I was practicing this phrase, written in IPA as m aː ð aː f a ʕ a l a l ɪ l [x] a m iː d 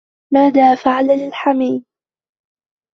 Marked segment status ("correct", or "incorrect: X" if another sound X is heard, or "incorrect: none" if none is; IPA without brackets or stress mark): incorrect: ħ